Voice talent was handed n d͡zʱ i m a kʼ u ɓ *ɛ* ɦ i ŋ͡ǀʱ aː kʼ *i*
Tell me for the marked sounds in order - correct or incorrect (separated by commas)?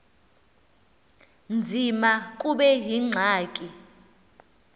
correct, correct